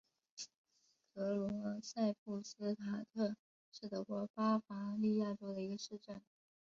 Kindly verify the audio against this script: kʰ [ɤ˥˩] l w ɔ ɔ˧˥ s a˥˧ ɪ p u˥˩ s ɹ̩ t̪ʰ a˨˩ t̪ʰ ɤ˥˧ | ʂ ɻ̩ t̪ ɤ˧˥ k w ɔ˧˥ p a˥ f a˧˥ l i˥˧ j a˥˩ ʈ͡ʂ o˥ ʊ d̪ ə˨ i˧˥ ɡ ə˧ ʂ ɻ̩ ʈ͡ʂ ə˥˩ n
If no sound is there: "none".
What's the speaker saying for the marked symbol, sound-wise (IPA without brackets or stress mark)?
ɤ˧˥